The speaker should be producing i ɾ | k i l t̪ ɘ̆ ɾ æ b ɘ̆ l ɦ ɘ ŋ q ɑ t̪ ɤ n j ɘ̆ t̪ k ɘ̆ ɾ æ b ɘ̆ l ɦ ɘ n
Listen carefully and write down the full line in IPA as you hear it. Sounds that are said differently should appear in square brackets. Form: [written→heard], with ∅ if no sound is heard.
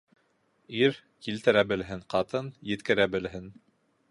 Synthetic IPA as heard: i ɾ | k i l t̪ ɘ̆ ɾ æ b ɘ̆ l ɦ ɘ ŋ q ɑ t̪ ɤ n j ɘ̆ t̪ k ɘ̆ ɾ æ b ɘ̆ l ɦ ɘ n

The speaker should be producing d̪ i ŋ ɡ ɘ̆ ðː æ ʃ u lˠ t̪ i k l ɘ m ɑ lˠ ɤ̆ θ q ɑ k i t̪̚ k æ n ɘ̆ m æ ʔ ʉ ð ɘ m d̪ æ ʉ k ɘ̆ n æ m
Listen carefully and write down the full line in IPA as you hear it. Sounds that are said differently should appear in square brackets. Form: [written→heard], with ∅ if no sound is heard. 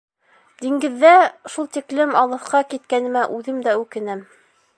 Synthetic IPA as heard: d̪ i ŋ ɡ ɘ̆ ðː æ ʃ u lˠ t̪ i k l ɘ m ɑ lˠ ɤ̆ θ q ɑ k i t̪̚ k æ n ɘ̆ m æ ʔ ʉ ð ɘ m d̪ æ ʉ k ɘ̆ n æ m

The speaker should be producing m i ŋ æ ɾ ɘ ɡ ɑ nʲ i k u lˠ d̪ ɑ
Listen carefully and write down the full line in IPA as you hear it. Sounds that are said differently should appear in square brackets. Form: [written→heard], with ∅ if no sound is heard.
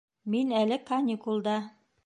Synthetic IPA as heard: m i [ŋ→n] æ [ɾ→l] ɘ [ɡ→k] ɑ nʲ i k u lˠ d̪ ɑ

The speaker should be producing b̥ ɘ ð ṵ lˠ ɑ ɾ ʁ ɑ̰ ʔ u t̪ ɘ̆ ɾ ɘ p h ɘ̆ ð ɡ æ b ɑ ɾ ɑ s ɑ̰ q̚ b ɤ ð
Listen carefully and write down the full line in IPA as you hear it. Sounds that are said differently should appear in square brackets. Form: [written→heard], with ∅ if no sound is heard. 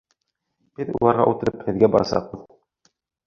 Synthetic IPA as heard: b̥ ɘ ð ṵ lˠ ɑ ɾ ʁ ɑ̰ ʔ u t̪ ɘ̆ ɾ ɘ p h ɘ̆ ð ɡ æ b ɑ ɾ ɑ s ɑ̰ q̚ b ɤ ð

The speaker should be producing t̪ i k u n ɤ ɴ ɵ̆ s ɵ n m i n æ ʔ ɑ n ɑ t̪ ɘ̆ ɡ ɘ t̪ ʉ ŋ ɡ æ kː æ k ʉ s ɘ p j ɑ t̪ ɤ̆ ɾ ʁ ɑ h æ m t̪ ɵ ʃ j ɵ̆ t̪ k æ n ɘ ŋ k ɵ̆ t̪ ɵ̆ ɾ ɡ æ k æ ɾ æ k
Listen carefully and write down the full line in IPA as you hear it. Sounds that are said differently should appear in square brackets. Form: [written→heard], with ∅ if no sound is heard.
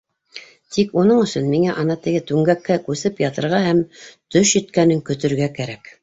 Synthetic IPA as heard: t̪ i k u n ɤ ɴ ɵ̆ s ɵ n m i [n→ŋ] æ ʔ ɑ n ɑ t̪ ɘ̆ ɡ ɘ t̪ ʉ ŋ ɡ æ kː æ k ʉ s ɘ p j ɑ t̪ ɤ̆ ɾ ʁ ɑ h æ m t̪ ɵ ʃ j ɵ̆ t̪ k æ n ɘ ŋ k ɵ̆ t̪ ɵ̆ ɾ ɡ æ k æ ɾ æ k

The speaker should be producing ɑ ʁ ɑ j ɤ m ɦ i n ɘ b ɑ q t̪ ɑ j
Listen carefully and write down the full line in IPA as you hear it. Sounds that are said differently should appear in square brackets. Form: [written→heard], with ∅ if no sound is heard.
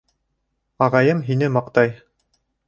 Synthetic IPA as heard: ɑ ʁ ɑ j ɤ m ɦ i n ɘ [b→m] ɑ q t̪ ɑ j

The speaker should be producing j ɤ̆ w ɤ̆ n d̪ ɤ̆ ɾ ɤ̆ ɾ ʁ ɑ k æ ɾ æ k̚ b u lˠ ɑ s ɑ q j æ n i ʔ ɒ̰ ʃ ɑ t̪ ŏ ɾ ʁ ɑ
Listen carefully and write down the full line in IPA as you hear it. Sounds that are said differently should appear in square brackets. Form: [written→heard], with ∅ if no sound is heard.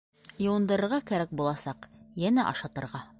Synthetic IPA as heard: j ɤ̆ w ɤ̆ n d̪ ɤ̆ ɾ ɤ̆ ɾ ʁ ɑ k æ ɾ æ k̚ b u lˠ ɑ s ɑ q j æ n [i→æ] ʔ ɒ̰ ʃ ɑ t̪ [ŏ→ɤ̆] ɾ ʁ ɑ

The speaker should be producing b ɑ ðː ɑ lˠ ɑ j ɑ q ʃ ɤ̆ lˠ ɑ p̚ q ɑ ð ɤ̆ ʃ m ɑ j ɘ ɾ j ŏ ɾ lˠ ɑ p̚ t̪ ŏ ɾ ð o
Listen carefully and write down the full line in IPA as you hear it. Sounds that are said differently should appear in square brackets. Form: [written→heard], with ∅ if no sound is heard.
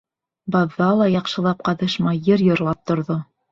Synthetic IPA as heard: b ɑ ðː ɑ lˠ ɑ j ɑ q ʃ ɤ̆ lˠ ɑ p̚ q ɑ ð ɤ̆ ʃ m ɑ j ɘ ɾ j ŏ ɾ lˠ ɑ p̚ t̪ ŏ ɾ ð o

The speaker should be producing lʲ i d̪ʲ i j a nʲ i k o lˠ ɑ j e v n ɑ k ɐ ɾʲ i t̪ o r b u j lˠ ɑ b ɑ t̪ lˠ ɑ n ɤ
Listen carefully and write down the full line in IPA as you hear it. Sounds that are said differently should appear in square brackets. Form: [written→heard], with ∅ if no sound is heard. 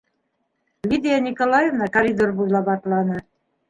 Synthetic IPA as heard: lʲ i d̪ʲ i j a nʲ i k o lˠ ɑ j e v n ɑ k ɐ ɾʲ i [t̪→d̪] o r b u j lˠ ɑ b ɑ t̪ lˠ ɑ n ɤ

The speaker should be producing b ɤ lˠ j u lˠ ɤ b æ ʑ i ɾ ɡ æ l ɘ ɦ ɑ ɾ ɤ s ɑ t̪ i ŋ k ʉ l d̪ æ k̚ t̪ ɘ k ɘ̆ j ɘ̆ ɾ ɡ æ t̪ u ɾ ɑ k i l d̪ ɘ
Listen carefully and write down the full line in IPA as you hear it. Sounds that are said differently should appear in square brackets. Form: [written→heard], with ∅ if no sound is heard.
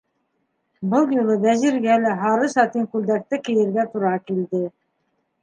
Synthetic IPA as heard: b ɤ lˠ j u lˠ ɤ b æ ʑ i ɾ ɡ æ l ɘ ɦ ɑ ɾ ɤ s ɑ t̪ i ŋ k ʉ l d̪ æ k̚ t̪ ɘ k ɘ̆ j ɘ̆ ɾ ɡ æ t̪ u ɾ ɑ k i l d̪ ɘ

